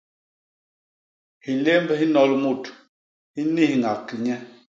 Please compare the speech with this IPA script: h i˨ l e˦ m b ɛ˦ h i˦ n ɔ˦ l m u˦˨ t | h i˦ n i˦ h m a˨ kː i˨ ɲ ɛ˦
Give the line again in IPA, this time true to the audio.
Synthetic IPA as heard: h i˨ l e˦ m b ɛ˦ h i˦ n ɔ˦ l m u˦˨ t | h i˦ n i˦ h ŋ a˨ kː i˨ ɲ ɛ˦